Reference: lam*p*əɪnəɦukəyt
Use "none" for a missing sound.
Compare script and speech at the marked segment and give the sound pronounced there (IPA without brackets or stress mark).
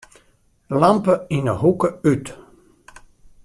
p